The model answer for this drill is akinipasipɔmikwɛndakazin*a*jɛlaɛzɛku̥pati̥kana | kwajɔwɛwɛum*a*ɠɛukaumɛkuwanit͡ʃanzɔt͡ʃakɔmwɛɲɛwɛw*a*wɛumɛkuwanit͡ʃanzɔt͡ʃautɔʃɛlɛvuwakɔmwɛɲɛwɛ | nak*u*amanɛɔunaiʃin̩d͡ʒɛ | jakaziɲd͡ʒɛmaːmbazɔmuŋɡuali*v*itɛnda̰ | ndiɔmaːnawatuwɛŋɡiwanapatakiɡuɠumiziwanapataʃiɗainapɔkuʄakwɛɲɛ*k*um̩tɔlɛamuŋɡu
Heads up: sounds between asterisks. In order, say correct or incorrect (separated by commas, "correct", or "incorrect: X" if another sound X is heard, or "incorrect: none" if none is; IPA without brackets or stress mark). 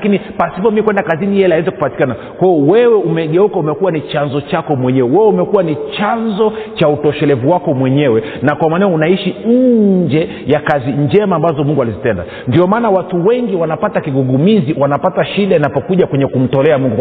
incorrect: i, incorrect: ɛ, incorrect: ɛ, incorrect: w, incorrect: z, correct